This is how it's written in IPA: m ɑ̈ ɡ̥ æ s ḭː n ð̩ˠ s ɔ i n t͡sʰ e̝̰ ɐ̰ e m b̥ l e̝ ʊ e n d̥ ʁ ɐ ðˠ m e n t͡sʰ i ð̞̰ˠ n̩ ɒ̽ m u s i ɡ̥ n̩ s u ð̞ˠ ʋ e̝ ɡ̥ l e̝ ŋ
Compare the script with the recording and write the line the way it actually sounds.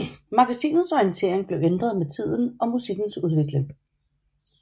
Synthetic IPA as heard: m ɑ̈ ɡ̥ æ s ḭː n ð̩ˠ s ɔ i n t͡sʰ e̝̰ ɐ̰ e ŋ b̥ l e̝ ʊ e n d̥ ʁ ɐ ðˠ m e t͡sʰ i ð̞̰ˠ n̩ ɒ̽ m u s i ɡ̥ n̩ s u ð̞ˠ ʋ e̝ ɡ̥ l e̝ ŋ